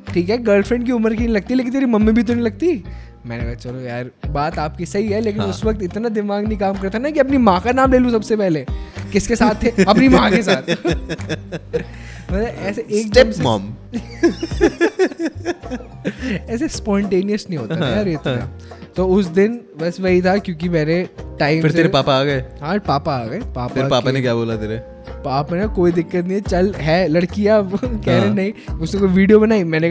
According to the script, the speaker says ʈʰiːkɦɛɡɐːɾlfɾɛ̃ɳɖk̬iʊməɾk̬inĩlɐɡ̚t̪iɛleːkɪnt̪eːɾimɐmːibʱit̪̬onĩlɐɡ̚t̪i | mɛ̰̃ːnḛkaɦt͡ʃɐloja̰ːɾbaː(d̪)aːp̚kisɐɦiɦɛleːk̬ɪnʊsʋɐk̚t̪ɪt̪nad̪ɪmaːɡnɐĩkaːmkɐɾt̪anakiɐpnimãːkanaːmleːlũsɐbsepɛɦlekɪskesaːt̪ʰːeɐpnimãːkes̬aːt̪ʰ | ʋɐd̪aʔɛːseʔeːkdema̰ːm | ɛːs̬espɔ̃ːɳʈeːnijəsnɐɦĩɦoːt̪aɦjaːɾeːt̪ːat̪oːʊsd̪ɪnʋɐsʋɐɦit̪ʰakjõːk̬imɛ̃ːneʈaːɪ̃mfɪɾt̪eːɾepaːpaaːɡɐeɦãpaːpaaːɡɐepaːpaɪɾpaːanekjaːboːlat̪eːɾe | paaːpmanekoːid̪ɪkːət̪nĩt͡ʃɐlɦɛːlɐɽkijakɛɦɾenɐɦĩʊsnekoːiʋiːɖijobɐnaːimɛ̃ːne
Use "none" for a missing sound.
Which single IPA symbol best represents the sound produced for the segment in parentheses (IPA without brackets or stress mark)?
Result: t̪